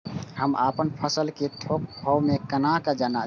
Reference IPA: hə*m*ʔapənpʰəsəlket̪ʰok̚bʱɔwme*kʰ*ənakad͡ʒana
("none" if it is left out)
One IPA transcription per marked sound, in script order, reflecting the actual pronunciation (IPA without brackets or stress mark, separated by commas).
m, k